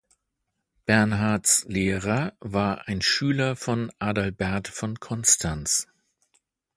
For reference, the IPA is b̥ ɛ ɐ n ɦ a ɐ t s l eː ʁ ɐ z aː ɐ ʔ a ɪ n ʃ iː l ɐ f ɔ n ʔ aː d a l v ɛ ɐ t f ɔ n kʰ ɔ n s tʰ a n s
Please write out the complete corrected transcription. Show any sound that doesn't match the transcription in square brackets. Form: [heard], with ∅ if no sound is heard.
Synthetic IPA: b̥ ɛ ɐ n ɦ a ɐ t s l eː ʁ ɐ [v] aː ɐ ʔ a ɪ n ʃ [yː] l ɐ f ɔ n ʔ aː d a l [b] ɛ ɐ t f ɔ n kʰ ɔ n s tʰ a n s